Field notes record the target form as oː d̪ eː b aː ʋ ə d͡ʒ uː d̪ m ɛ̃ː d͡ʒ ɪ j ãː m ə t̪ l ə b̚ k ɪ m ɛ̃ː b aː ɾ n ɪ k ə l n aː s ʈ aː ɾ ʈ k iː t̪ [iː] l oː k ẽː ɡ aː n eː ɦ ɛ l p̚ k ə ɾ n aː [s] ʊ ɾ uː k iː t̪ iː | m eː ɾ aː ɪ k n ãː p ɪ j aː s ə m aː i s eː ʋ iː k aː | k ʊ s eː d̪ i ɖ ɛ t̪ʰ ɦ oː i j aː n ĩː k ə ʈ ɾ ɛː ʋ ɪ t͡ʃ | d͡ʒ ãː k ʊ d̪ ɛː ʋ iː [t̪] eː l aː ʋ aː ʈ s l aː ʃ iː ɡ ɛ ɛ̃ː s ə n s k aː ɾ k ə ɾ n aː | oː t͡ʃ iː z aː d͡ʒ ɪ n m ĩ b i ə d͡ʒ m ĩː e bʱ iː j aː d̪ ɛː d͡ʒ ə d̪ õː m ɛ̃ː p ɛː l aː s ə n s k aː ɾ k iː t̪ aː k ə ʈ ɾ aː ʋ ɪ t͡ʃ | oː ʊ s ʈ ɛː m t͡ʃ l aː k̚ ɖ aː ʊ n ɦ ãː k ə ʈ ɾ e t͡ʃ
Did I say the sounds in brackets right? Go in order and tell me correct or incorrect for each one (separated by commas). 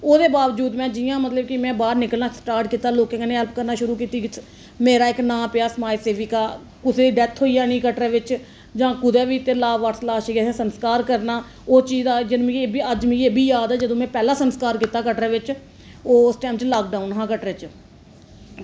incorrect, incorrect, correct